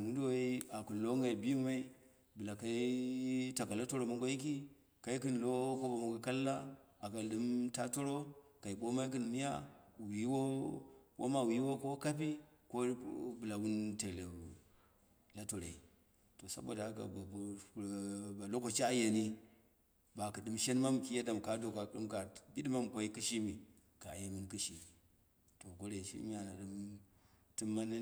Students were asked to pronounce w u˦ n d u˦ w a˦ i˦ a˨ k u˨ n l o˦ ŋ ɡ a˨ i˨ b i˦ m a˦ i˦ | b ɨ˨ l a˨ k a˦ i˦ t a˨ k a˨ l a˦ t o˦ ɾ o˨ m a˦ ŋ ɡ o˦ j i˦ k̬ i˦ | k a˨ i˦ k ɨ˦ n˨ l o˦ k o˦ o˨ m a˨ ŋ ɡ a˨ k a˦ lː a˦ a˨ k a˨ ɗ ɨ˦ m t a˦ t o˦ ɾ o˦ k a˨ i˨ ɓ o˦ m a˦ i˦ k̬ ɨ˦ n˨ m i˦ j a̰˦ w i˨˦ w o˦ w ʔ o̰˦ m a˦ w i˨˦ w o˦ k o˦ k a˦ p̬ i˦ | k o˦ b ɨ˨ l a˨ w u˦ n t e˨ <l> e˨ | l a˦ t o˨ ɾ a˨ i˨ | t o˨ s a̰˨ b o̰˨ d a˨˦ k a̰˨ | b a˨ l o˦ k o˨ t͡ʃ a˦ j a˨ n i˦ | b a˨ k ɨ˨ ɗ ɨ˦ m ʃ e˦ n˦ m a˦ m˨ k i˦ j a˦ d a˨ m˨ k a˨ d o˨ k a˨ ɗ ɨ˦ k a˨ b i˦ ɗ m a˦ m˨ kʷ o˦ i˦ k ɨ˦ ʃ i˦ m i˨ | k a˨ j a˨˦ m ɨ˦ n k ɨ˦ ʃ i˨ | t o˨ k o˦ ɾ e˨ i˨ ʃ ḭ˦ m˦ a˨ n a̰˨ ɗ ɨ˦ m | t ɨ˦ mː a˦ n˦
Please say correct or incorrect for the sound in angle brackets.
correct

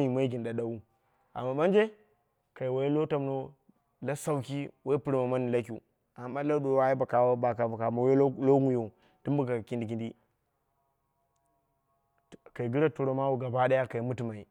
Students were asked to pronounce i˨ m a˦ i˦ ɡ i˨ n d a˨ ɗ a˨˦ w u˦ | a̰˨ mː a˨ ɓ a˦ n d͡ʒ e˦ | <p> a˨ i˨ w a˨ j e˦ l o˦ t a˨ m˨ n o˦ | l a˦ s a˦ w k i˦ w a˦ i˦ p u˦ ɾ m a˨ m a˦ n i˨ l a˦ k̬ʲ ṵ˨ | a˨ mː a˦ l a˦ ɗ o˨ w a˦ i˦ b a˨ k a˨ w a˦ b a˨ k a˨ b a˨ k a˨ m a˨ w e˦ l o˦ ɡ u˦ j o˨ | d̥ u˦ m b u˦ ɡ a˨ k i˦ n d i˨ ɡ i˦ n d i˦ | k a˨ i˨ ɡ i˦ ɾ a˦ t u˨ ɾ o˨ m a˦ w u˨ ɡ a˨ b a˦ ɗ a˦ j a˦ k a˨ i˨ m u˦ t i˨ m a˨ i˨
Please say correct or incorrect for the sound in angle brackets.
incorrect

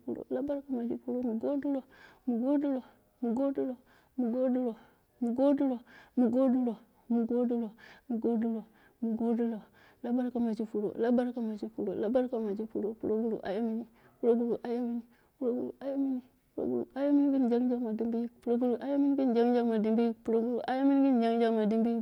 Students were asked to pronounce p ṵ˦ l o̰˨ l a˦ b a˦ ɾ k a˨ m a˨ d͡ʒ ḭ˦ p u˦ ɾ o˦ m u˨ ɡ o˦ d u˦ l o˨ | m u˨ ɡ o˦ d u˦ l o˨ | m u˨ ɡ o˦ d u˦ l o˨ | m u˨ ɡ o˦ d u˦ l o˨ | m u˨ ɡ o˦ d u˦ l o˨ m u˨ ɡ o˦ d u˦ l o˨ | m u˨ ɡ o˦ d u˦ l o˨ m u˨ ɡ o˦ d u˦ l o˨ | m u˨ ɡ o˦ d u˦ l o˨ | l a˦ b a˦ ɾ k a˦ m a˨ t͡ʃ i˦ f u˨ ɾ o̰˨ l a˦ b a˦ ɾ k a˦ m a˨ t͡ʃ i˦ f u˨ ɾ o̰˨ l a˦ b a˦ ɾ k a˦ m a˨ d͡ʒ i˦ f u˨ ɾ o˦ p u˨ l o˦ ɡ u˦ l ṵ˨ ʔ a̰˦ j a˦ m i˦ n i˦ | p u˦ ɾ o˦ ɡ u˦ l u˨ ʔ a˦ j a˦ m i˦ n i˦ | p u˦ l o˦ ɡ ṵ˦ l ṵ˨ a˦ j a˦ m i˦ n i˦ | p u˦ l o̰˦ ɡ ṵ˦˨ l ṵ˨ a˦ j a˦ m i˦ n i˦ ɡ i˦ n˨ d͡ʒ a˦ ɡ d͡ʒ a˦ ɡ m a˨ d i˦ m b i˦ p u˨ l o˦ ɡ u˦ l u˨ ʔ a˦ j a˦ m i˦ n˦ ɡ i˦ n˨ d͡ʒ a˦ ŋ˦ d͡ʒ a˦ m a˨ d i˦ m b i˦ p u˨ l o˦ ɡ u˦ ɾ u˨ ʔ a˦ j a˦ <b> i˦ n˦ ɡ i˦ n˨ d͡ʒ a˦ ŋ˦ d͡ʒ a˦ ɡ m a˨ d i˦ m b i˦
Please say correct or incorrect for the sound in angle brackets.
incorrect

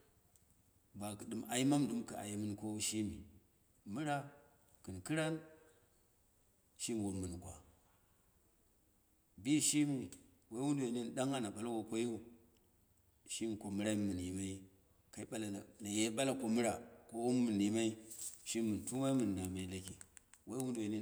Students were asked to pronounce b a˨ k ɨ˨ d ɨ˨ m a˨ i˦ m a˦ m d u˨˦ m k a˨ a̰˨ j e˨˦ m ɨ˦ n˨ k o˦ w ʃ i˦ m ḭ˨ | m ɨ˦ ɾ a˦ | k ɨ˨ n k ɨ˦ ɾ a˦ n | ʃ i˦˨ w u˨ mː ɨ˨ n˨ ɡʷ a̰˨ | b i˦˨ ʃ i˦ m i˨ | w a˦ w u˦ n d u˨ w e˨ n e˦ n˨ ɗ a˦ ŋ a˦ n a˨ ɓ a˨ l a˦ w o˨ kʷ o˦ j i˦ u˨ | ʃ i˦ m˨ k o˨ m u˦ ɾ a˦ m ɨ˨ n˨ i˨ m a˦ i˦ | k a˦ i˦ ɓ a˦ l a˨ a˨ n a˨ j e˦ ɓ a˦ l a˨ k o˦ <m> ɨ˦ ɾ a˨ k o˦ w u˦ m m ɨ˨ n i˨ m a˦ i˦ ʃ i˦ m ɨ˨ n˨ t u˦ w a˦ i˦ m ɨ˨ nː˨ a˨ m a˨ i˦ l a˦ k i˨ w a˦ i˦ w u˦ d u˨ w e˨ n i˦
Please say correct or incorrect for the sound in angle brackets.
correct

